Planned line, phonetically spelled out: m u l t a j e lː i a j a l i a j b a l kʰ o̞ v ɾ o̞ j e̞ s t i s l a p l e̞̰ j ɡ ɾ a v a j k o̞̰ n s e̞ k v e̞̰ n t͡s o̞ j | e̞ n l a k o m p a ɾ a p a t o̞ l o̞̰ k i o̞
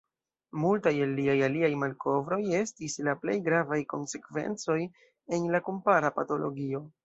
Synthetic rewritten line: m u l t a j e lː i a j a l i a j m a l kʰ o̞ v ɾ o̞ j e̞ s t i s l a p l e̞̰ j ɡ ɾ a v a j k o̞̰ n s e̞ k v e̞̰ n t͡s o̞ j | e̞ n l a k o m p a ɾ a p a t o̞ l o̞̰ ɡ i o̞